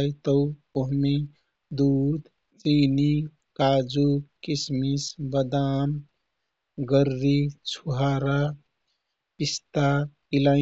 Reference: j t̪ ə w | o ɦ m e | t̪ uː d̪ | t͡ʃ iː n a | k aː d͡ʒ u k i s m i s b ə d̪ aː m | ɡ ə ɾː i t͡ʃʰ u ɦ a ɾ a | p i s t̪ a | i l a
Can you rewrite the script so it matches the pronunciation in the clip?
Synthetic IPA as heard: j t̪ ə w | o ɦ m e | d̪ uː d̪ | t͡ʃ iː n i | k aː d͡ʒ u k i s m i s b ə d̪ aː m | ɡ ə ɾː i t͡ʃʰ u ɦ a ɾ a | p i s t̪ a | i l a